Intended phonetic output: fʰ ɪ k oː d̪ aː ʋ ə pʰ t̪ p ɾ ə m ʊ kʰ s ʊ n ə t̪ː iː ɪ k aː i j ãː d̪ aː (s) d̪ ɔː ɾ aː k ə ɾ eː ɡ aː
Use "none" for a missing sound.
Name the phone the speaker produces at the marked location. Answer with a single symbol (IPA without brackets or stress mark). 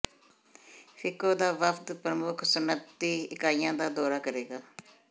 none